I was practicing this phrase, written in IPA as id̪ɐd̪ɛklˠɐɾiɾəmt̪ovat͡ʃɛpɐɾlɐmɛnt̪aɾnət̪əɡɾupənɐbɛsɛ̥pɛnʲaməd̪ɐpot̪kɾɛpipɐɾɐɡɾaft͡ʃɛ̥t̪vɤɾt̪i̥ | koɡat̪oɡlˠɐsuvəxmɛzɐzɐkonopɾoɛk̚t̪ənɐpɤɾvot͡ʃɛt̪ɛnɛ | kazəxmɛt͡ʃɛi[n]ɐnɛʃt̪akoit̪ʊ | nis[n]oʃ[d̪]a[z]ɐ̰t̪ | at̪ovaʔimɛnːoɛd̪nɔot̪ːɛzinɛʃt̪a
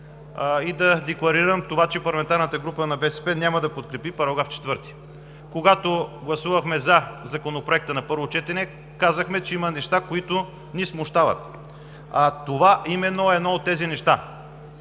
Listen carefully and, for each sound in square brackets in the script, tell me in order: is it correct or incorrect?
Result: incorrect: m, incorrect: m, incorrect: t̪, incorrect: v

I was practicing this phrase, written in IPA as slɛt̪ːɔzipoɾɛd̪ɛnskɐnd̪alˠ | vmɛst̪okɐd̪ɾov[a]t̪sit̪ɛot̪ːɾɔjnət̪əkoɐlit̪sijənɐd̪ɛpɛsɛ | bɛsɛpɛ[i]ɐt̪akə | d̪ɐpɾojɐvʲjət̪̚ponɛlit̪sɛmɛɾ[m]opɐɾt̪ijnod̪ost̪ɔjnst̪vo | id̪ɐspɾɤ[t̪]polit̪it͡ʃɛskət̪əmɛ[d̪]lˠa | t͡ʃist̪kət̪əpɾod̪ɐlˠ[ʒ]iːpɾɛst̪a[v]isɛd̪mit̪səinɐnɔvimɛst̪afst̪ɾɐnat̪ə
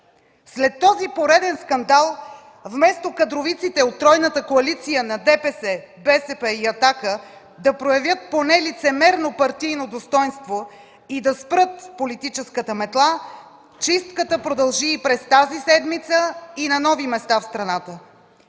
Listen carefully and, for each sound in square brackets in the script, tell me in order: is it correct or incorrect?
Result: incorrect: i, correct, incorrect: n, correct, incorrect: t̪, correct, incorrect: z

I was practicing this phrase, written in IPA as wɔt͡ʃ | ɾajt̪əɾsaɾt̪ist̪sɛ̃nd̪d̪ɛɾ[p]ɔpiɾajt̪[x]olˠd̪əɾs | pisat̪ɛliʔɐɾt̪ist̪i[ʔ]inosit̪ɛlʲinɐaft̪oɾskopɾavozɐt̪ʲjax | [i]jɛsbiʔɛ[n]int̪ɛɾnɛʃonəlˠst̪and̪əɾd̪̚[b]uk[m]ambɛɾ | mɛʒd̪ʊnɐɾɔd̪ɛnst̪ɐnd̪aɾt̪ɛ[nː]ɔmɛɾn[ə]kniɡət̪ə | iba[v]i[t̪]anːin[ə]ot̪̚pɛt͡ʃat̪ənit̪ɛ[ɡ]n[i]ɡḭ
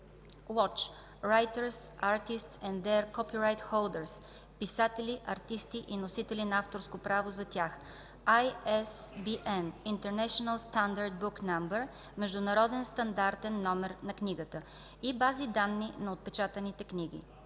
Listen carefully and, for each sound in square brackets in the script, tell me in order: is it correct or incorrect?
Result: incorrect: k, correct, correct, incorrect: a, correct, correct, incorrect: n, correct, incorrect: ɐ, incorrect: z, incorrect: d̪, incorrect: ɐ, incorrect: k, correct

